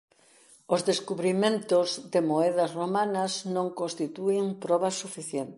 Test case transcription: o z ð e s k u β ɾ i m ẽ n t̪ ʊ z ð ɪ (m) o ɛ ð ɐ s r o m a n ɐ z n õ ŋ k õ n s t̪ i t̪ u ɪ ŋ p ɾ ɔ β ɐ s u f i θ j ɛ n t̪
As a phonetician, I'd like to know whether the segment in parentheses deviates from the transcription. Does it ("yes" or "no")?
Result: no